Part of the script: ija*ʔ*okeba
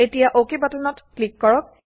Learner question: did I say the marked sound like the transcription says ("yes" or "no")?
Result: yes